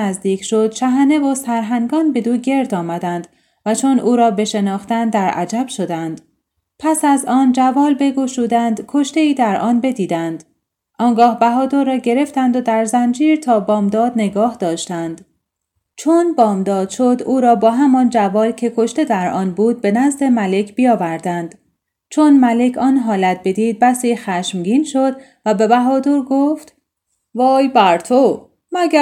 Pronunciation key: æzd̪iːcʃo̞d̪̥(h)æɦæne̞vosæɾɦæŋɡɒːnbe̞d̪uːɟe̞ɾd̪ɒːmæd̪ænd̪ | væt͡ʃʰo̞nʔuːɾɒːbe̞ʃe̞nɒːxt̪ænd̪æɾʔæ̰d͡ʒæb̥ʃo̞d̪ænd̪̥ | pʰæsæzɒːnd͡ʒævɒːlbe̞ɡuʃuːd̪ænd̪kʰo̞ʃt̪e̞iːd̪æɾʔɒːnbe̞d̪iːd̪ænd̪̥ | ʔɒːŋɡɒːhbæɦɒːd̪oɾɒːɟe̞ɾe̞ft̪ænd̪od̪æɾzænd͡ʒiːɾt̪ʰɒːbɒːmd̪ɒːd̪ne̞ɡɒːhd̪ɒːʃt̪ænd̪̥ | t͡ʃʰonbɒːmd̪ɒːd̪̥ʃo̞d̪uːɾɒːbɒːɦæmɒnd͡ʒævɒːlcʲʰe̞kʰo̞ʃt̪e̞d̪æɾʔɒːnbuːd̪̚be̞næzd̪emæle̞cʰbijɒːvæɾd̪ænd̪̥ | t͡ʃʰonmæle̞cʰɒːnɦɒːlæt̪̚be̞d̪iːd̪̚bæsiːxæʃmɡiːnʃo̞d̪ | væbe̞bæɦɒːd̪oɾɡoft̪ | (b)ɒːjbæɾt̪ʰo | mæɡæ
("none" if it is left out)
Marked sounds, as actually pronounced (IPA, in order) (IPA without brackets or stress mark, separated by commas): ʃ, v